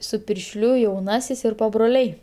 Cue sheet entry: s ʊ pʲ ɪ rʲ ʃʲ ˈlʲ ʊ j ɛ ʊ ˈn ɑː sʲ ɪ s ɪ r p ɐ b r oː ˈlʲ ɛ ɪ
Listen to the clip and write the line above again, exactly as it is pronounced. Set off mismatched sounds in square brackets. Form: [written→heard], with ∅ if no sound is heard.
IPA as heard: s ʊ pʲ ɪ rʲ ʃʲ ˈlʲ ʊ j ɛ ʊ ˈn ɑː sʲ ɪ s ɪ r p ɐ b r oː ˈlʲ ɛ ɪ